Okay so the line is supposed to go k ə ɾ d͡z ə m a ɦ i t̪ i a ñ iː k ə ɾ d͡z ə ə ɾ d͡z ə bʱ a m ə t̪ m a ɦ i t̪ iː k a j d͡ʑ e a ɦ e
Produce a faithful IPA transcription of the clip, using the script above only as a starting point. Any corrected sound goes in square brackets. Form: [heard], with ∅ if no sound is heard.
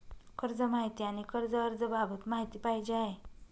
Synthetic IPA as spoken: k ə ɾ d͡z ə m a ɦ i t̪ i a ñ [i] k ə ɾ d͡z ə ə ɾ d͡z ə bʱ a [b] ə t̪ m a ɦ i t̪ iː [p] a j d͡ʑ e a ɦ e